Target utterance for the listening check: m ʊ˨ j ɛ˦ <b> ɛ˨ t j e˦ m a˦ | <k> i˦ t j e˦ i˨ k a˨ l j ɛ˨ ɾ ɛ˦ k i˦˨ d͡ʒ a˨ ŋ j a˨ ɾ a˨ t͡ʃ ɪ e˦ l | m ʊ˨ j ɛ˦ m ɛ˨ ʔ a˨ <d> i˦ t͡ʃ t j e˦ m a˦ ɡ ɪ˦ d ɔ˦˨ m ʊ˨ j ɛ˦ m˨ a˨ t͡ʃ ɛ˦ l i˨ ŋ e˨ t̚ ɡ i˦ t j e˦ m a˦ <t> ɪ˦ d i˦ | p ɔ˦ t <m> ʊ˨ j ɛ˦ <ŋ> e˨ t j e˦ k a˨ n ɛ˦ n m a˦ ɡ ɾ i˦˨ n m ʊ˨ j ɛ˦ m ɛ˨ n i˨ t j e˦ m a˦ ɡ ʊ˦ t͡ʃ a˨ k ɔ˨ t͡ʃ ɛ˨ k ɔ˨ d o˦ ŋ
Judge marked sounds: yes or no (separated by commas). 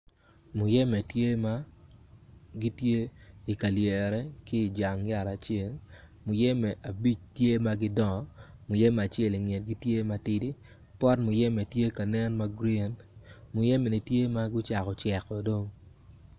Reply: no, no, no, yes, yes, no